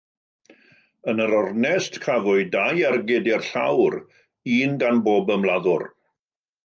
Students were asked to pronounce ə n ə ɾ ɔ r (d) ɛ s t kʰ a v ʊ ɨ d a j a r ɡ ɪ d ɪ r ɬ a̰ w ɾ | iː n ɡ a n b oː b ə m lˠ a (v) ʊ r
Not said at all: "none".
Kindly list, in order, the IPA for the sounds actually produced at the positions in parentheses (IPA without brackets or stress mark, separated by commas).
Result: n, ð